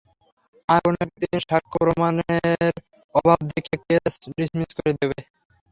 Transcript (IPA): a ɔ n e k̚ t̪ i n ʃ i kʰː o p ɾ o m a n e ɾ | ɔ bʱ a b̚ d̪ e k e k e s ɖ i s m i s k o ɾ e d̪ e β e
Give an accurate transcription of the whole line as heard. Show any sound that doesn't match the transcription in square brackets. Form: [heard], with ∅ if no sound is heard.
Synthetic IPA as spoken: a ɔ n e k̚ t̪ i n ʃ [a] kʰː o p ɾ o m a n e ɾ | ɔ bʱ a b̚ d̪ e k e k e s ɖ i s m i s k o ɾ e d̪ e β e